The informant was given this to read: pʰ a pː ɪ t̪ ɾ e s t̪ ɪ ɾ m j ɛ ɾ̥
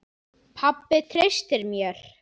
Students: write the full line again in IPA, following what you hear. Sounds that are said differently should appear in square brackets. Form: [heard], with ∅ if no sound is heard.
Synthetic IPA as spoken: pʰ a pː ɪ [t̪ʰ] ɾ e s t̪ ɪ ɾ m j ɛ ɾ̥